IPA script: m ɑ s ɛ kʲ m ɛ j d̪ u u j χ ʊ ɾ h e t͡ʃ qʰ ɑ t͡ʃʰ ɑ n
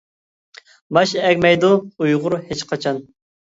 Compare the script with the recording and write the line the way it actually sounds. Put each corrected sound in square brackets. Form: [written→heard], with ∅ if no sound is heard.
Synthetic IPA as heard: m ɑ [s→ʃ] ɛ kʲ m ɛ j d̪ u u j [χ→ʁ] ʊ ɾ h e t͡ʃ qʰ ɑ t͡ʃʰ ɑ n